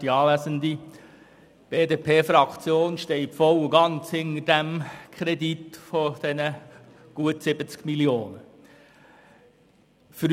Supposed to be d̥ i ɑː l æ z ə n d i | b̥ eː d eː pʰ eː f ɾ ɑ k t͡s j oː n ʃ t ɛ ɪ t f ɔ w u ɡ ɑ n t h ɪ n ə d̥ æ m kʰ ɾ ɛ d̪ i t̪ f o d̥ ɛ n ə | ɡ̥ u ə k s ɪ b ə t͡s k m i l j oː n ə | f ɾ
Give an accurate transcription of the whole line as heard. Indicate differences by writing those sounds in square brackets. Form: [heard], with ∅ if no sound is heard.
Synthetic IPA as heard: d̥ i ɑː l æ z ə n d i | b̥ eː d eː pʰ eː f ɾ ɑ k t͡s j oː n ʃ t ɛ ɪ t f ɔ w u ɡ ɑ n [t͡s] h ɪ n ə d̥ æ m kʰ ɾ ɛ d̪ i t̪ f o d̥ ɛ n ə | ɡ̥ u ə [t] s ɪ b ə t͡s k m i l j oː n ə | f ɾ